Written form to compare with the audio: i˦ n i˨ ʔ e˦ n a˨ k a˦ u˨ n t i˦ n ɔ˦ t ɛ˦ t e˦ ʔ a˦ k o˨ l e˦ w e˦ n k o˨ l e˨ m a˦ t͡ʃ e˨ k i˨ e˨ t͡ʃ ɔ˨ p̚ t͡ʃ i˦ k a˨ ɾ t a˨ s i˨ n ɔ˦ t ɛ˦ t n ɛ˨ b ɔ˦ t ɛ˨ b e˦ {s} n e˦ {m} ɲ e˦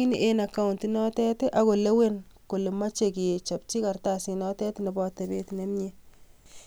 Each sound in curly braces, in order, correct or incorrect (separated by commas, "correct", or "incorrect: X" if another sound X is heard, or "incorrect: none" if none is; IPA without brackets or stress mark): incorrect: t, correct